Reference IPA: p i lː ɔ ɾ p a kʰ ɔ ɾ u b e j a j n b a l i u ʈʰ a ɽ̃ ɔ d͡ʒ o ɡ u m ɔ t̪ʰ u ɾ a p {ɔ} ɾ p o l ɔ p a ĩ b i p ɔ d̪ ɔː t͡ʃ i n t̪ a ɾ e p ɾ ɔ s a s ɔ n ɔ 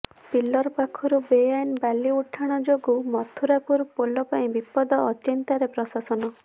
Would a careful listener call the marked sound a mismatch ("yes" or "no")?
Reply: yes